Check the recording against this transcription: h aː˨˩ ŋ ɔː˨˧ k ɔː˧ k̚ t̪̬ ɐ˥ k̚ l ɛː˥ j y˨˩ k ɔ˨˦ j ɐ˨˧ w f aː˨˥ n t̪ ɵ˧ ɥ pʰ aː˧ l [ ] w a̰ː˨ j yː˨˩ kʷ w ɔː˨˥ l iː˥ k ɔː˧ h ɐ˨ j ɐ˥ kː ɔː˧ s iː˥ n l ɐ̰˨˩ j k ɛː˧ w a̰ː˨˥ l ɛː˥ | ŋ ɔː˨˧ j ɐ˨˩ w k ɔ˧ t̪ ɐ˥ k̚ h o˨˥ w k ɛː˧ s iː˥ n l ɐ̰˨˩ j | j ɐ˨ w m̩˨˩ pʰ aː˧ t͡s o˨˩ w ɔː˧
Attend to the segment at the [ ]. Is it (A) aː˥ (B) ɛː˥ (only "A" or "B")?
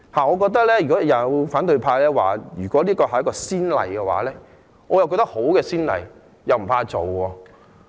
B